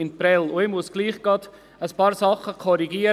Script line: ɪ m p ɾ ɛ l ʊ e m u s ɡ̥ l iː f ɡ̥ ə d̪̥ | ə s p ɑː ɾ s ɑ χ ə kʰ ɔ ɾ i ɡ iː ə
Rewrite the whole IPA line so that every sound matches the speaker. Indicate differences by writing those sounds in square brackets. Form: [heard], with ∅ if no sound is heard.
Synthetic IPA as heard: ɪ [n] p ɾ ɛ l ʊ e m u s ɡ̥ l iː [χ] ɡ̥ [ɑ] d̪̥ | ə s p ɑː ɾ s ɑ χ ə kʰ ɔ ɾ i ɡ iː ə